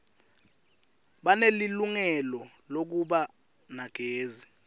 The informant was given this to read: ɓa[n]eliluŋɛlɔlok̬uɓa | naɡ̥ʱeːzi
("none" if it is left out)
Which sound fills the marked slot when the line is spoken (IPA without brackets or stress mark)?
n